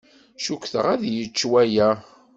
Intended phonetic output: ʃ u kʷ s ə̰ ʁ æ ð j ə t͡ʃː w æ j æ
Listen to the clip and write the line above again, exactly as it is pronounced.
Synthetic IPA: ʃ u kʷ θ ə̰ ʁ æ ð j ə t͡ʃː w æ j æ